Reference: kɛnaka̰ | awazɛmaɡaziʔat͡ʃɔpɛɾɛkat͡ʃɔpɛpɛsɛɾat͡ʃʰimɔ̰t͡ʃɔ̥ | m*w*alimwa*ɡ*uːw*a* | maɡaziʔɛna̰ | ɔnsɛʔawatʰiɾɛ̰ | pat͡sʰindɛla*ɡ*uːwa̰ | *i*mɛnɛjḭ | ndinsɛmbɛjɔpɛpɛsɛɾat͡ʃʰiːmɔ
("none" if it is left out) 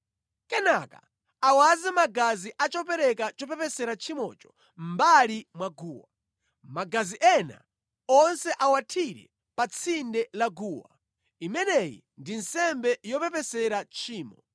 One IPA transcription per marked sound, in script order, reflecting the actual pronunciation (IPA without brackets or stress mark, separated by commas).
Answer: b, ɡ, a, ɡ, i